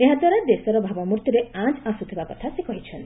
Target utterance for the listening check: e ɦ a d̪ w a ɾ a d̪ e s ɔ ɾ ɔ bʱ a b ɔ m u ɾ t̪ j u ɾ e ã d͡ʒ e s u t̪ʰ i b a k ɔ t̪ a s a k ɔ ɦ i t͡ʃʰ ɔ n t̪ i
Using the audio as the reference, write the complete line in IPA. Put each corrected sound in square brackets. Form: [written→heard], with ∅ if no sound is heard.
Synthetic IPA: e ɦ a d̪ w a ɾ a d̪ e s ɔ ɾ ɔ bʱ a b ɔ m u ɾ t̪ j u ɾ e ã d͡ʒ [e→a] s u t̪ʰ i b a k ɔ [t̪→t̪ʰ] a s [a→e] k ɔ ɦ i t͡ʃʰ ɔ n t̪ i